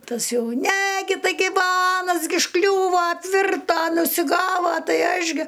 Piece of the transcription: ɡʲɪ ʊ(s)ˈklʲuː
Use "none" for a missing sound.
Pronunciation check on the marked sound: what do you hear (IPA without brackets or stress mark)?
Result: ʃ